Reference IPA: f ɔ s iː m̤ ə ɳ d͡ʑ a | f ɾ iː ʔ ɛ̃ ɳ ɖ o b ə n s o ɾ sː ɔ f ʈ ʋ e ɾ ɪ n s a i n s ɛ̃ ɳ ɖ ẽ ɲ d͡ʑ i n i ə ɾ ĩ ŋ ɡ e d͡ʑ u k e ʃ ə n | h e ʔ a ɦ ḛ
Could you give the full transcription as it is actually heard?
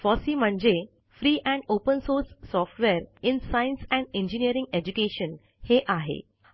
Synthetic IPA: f ɔ s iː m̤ ə ɳ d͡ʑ e | f ɾ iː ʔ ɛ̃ ɳ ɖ o p ə n s o ɾ sː ɔ f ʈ ʋ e ɾ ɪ n s a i n s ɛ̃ ɳ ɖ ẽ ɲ d͡ʑ i n i ə ɾ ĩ ŋ ɡ e d͡ʑ u k e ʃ ə n | h e ʔ a ɦ ḛ

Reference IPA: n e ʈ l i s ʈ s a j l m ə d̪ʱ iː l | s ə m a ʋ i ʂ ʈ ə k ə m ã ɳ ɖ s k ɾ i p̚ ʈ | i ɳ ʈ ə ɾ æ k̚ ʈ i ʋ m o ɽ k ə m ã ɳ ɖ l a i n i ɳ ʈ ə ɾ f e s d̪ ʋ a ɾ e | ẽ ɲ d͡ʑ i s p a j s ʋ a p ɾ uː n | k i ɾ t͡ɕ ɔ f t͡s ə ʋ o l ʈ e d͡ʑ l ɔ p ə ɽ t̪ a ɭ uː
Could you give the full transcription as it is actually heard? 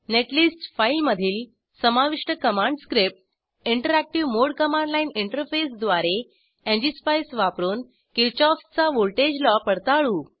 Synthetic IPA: n e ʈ l i s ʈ f a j l m ə d̪ʱ iː l | s ə m a ʋ i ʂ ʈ ə k ə m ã ɳ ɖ s k ɾ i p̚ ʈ | i ɳ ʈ ə ɾ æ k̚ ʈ i ʋ m o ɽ k ə m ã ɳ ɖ l a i n i ɳ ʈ ə ɾ f e s d̪ ʋ a ɾ e | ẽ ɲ d͡ʑ i s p a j s ʋ a p ɾ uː n | k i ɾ t͡ɕ ɔ f t͡s a ʋ o l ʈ e d͡ʑ l ɔ p ə ɽ t̪ a ɭ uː

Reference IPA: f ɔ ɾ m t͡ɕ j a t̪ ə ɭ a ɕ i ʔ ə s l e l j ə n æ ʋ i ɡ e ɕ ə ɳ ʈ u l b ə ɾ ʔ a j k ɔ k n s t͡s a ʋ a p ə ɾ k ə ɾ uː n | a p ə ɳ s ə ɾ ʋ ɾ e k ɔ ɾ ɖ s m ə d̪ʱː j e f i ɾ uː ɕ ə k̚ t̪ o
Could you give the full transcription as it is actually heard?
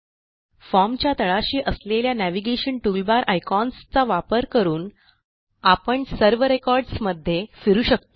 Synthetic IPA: f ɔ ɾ m t͡ɕ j a t̪ ə ɭ a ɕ iː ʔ ə s l e l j a n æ ʋ i ɡ e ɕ ə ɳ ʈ u l b a ɾ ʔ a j k ɔ n s t͡s a ʋ a p ə ɾ k ə ɾ uː n | a p ə ɳ s ə ɾ ʋ ɾ e k ɔ ɾ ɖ s m ə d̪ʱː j e f i ɾ uː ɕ ə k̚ t̪ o

